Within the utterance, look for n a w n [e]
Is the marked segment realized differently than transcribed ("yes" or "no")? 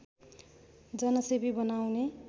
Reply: no